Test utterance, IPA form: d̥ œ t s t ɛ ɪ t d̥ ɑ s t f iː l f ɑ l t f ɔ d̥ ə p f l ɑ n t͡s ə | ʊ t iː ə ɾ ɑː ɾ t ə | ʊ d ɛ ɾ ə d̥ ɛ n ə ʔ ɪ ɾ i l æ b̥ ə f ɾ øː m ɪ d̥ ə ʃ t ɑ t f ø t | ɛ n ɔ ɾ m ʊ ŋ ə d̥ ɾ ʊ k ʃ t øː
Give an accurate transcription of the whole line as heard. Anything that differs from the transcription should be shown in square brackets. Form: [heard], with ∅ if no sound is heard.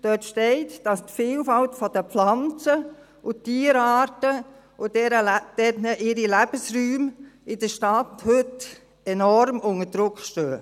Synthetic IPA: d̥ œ t [ʃ] t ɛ ɪ t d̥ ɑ s t f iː l f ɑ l t f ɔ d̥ ə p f l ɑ n t͡s ə | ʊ t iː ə ɾ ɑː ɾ t ə | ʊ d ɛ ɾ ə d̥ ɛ n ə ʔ ɪ ɾ i l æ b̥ ə [s] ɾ [yː] m ɪ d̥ ə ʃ t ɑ t [h] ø t | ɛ n ɔ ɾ m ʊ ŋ ə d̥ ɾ ʊ k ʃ t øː

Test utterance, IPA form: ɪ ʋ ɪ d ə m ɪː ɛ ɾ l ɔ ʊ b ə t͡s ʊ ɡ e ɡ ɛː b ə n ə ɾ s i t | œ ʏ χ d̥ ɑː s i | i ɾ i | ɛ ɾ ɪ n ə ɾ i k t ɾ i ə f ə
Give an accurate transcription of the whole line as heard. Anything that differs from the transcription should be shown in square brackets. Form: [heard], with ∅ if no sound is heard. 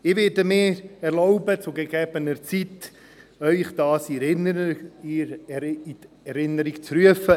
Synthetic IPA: ɪ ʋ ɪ d ə m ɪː ɛ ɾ l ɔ ʊ b ə t͡s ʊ ɡ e ɡ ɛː b ə n ə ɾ [t͡s] i t | œ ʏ χ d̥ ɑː s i | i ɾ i | ɛ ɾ ɪ n ə ɾ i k [t͡s] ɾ [y] ə f ə

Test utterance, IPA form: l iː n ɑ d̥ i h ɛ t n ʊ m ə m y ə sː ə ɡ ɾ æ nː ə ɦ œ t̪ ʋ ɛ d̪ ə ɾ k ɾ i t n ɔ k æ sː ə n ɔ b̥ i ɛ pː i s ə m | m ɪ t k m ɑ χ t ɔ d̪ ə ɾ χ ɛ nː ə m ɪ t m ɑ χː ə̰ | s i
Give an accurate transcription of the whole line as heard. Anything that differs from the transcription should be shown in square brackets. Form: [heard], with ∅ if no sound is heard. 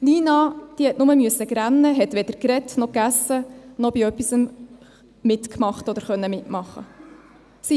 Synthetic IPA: l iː n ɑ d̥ i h ɛ t n ʊ m ə m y ə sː ə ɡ ɾ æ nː ə ɦ [ɛ] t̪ ʋ ɛ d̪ ə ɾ k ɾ [ɛ] t n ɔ k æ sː ə n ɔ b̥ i [œ] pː i s ə m | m ɪ t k m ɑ χ t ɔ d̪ ə ɾ χ [œ] nː ə m ɪ t m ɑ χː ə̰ | s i

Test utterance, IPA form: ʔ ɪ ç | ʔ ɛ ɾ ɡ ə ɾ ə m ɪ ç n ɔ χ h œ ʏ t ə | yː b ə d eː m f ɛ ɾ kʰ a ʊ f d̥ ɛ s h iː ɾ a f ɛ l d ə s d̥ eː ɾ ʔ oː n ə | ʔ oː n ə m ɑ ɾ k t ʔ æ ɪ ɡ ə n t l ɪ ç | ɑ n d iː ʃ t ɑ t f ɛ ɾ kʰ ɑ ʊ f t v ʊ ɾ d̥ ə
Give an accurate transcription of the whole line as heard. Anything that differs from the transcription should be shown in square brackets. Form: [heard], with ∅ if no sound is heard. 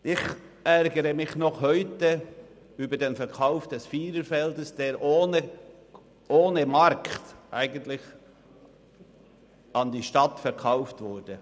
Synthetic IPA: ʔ ɪ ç | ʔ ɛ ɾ ɡ ə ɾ ə m ɪ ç n ɔ χ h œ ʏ t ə | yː b ə d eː [n] f ɛ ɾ kʰ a ʊ f d̥ ɛ s [f] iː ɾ [ə] f ɛ l d ə s d̥ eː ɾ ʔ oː n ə | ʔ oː n ə m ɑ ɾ k t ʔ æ ɪ ɡ ə n t l ɪ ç | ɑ n d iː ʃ t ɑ t f ɛ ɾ kʰ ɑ ʊ f t v ʊ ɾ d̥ ə

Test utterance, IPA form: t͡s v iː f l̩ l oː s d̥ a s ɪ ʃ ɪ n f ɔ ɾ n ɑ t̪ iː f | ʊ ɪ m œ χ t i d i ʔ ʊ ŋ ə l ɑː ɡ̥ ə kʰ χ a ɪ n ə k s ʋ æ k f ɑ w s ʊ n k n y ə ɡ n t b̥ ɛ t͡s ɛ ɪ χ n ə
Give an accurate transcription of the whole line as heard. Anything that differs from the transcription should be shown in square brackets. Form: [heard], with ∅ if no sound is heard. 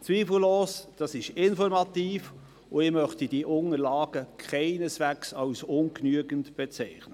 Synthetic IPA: t͡s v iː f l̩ l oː s d̥ [ɑ] s ɪ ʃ ɪ n f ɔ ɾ [m] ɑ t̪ iː f | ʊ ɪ m œ χ t i d i ʔ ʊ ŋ ə l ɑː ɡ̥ ə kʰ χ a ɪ n ə [∅] s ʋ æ k [s] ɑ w s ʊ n k n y ə ɡ n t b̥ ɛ t͡s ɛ ɪ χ n ə

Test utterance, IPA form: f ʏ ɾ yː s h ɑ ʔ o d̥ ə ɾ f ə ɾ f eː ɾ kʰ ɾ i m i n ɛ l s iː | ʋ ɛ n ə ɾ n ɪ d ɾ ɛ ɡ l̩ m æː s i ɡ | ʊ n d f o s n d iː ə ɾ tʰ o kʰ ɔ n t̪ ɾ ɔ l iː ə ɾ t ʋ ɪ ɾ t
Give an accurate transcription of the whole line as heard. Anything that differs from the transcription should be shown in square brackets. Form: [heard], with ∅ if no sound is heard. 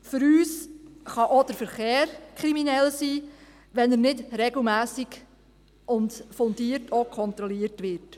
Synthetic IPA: f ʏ ɾ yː s [χ] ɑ ʔ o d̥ ə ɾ f ə ɾ [χ] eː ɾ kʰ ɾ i m i n ɛ l s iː | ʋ ɛ n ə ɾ n ɪ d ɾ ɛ ɡ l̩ m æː s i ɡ | ʊ n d f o [∅] n d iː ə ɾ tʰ o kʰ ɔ n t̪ ɾ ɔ l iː ə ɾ t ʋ ɪ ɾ t

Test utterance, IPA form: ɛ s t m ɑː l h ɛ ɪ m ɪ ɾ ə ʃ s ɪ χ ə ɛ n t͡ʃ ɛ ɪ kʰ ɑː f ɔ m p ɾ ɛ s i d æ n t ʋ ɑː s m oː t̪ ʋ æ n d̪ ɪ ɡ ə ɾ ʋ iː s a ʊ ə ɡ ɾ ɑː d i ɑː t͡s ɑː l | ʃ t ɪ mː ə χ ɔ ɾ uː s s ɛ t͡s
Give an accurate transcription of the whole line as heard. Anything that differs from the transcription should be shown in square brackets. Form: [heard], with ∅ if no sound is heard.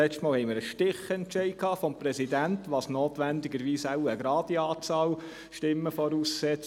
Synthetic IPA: ɛ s t m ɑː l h ɛ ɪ m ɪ ɾ ə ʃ [t] ɪ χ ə ɛ n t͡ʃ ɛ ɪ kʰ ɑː f ɔ m p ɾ ɛ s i d æ n t ʋ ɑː s [n] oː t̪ ʋ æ n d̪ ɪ ɡ ə ɾ ʋ iː s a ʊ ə ɡ ɾ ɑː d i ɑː t͡s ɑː l | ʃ t ɪ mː ə [f] ɔ ɾ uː s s ɛ t͡s

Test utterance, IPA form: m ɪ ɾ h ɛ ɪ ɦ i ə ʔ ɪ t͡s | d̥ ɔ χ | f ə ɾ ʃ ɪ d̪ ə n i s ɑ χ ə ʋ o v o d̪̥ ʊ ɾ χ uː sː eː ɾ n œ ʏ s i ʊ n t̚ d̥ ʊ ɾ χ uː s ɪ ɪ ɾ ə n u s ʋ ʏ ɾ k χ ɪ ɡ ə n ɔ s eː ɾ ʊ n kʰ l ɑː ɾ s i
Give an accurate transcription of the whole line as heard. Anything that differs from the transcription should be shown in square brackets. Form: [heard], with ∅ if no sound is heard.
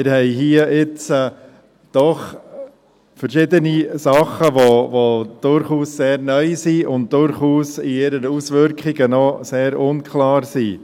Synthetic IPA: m ɪ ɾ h ɛ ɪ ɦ i ə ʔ ɪ t͡s | d̥ ɔ χ | f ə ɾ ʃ ɪ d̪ ə n i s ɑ χ ə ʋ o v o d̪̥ ʊ ɾ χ uː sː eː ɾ n œ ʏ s i ʊ n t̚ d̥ ʊ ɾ χ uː s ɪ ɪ ɾ ə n u s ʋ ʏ ɾ k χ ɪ ɡ ə n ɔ s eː ɾ ʊ n kʰ l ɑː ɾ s i

